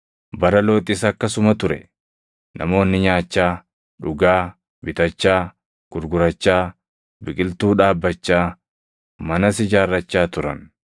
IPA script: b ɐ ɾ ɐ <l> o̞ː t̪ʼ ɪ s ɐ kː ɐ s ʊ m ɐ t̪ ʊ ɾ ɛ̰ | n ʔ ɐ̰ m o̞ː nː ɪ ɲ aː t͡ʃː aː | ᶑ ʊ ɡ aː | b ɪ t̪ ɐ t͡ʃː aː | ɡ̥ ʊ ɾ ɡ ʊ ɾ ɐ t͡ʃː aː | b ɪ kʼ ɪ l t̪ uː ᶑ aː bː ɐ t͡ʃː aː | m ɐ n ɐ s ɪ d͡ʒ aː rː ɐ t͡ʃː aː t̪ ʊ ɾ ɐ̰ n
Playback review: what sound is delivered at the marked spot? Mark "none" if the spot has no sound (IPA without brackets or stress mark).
l